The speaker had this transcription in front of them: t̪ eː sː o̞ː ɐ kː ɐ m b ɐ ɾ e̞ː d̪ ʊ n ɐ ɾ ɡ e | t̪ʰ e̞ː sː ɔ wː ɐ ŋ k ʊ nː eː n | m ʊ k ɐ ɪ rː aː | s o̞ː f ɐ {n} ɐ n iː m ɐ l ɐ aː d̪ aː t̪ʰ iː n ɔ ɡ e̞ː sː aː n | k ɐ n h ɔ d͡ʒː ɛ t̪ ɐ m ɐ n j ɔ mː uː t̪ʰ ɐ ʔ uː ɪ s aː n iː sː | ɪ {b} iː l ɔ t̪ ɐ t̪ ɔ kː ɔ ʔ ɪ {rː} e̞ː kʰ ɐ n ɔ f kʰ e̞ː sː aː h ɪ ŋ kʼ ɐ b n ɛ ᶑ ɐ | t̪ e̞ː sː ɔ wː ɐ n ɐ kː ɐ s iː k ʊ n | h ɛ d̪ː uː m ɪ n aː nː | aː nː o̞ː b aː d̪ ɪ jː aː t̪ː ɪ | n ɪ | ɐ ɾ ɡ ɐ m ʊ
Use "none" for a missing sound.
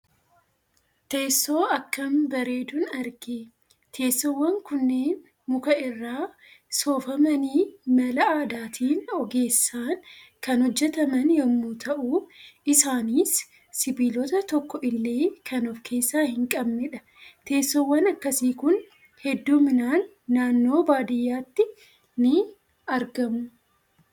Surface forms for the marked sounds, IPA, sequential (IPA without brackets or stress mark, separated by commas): m, b, lː